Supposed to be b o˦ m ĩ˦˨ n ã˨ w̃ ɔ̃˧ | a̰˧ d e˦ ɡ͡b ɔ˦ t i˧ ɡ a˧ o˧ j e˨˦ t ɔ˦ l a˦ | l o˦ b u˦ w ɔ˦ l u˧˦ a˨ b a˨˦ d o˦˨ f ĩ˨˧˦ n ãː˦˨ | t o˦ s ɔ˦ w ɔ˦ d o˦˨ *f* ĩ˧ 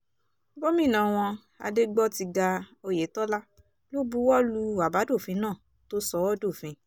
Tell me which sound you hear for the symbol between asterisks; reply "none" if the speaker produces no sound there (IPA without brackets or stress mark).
f